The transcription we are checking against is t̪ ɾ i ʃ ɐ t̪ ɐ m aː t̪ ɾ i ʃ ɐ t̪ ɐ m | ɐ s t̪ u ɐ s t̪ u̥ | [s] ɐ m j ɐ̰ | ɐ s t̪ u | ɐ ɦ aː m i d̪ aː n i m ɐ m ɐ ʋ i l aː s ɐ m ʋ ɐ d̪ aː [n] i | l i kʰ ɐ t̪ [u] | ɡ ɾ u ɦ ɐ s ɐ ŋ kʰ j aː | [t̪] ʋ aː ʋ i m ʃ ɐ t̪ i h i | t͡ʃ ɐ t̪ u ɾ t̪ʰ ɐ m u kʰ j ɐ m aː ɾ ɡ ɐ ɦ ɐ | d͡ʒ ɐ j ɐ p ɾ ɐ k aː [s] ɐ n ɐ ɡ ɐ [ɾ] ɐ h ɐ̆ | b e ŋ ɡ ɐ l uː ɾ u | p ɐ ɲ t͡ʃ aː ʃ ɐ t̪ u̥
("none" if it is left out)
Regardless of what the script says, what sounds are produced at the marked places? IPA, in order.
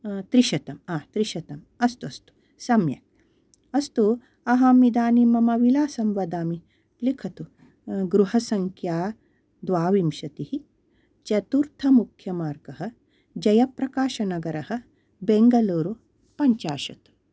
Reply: s, m, u, d̪, ʃ, ɾ

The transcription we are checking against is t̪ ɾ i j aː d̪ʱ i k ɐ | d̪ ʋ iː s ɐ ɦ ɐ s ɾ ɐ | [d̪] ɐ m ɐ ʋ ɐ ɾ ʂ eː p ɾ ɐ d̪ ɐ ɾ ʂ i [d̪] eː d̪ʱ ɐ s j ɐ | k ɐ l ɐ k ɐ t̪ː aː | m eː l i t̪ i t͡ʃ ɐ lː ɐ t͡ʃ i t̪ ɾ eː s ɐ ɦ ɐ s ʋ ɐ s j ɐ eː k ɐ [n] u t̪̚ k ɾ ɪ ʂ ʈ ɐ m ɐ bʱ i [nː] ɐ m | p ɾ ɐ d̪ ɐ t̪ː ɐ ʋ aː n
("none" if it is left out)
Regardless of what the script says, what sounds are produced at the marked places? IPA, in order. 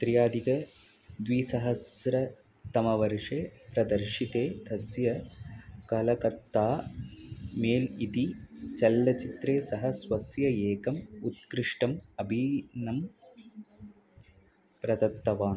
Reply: t̪, t̪, m, n

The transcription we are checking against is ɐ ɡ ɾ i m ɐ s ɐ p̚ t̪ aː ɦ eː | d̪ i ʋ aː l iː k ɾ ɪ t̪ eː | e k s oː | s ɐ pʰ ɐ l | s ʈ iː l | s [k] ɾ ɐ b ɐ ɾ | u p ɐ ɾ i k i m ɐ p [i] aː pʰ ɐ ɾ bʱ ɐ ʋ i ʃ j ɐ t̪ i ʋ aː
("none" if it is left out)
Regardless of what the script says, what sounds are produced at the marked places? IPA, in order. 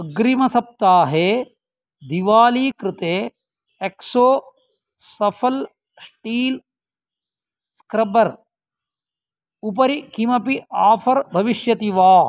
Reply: k, i

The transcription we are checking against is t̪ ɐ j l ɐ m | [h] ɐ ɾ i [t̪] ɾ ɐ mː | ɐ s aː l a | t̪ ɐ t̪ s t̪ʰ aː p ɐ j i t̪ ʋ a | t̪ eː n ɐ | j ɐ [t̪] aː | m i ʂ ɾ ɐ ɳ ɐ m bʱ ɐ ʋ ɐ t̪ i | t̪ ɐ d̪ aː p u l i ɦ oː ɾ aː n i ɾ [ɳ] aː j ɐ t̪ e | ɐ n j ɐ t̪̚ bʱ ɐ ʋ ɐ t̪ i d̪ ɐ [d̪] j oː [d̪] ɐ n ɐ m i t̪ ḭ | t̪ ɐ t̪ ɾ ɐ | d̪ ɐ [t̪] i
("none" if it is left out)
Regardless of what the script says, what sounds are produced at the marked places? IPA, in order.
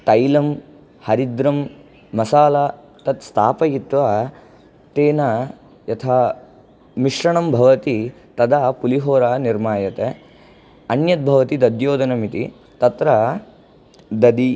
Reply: h, d̪, t̪ʰ, m, d̪, d̪, d̪

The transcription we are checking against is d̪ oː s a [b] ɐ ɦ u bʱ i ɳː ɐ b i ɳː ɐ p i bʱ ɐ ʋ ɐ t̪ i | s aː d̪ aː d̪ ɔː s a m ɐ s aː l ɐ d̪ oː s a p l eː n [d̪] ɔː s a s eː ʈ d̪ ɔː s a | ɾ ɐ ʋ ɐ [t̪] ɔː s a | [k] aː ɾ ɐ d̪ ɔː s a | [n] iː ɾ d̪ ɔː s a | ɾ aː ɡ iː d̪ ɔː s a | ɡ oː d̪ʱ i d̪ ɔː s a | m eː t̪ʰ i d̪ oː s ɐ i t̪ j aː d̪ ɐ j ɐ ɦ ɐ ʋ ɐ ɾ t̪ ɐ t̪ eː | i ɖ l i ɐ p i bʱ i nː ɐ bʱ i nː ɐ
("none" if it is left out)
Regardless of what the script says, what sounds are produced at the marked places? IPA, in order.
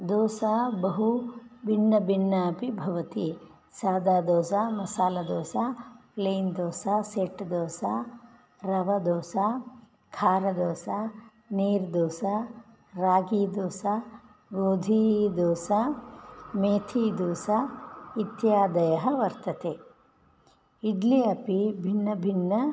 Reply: b, d̪, d̪, kʰ, n

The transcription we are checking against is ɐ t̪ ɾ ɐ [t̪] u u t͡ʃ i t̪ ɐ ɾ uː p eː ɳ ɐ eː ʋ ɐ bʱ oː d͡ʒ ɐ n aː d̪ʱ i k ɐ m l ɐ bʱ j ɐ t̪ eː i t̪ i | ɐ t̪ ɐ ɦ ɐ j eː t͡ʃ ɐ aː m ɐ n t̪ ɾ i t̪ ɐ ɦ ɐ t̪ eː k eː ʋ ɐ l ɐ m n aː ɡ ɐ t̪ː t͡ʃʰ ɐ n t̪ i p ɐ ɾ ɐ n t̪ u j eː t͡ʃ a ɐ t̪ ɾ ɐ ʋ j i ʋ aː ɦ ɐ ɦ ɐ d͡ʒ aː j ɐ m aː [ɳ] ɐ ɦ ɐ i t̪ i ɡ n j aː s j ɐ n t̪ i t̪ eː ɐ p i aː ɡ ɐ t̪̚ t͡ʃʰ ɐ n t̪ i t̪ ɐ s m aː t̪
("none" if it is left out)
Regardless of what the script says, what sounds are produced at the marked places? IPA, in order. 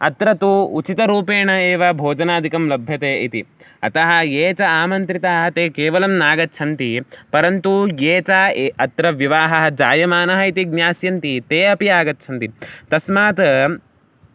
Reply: t̪, n

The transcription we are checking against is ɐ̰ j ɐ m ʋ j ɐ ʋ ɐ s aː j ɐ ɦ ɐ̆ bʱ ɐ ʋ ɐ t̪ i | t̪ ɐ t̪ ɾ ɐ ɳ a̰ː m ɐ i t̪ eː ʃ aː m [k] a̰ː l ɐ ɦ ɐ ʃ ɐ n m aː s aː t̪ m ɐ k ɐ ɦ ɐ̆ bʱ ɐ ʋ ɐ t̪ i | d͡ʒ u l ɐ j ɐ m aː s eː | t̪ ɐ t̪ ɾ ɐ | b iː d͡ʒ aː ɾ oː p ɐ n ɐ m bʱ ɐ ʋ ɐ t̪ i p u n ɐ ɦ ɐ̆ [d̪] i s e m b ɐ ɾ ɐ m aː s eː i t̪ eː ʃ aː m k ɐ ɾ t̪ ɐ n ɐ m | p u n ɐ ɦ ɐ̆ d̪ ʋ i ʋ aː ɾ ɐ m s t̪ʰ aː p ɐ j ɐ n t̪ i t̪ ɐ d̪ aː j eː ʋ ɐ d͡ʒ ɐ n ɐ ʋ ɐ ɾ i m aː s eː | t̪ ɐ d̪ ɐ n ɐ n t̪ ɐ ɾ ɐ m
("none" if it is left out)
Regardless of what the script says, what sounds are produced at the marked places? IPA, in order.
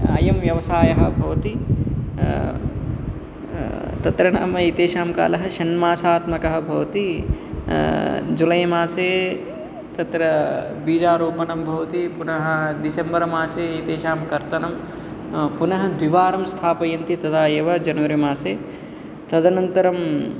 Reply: k, d̪

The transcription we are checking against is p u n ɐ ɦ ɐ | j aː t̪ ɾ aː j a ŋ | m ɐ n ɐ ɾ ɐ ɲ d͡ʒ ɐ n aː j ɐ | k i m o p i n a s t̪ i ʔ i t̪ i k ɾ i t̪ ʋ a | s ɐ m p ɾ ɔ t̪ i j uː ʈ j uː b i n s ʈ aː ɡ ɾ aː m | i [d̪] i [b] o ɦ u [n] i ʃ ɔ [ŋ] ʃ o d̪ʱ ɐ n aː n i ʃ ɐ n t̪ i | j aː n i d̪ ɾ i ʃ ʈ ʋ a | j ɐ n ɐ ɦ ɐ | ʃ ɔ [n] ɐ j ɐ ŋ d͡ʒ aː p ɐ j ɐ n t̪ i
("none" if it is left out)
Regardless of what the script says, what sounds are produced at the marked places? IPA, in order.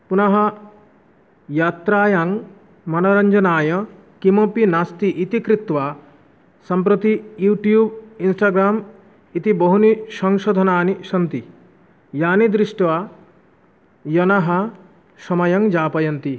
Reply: t̪, b, n, ŋ, m

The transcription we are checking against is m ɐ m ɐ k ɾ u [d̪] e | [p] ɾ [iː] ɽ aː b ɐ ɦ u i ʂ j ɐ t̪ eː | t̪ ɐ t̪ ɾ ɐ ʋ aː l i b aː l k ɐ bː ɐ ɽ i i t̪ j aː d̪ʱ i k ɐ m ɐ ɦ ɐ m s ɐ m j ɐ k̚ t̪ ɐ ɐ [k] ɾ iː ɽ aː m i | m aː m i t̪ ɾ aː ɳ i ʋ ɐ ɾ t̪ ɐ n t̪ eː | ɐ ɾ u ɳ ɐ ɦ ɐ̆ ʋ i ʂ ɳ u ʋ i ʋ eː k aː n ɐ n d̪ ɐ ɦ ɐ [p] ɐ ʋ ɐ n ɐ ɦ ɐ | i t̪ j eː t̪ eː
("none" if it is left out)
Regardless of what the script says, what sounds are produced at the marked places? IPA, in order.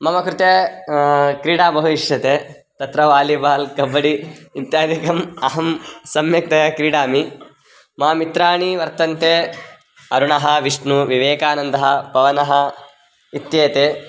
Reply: t̪, k, iː, k, p

